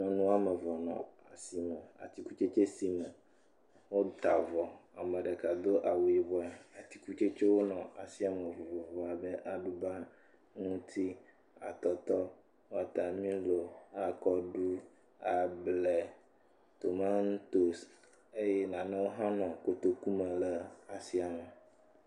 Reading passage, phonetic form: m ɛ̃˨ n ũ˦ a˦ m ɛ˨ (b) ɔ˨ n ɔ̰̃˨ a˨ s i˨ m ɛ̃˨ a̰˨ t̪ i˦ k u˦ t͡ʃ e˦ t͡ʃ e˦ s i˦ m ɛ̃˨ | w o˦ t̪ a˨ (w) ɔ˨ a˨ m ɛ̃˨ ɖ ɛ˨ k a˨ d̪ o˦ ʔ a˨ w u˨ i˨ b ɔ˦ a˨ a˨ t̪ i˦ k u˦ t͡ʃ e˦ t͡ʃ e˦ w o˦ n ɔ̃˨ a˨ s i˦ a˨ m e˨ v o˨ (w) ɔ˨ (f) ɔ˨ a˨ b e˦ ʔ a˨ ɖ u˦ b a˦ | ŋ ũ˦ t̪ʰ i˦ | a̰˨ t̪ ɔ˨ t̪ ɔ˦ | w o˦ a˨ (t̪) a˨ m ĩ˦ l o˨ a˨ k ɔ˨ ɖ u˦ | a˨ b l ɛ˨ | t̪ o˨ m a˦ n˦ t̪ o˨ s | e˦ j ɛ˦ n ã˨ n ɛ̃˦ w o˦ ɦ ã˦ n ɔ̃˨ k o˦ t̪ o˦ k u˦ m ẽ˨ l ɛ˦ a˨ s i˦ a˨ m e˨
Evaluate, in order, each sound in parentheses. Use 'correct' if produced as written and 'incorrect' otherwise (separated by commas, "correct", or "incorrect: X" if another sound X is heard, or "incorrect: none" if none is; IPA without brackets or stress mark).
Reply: incorrect: v, incorrect: v, incorrect: v, incorrect: v, correct